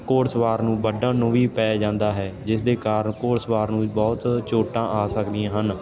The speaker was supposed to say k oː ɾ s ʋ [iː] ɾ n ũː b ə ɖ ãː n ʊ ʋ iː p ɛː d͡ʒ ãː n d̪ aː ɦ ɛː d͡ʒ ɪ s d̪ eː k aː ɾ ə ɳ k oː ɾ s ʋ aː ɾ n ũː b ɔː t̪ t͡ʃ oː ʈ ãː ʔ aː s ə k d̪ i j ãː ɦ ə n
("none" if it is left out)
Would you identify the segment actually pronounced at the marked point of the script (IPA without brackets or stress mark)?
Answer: aː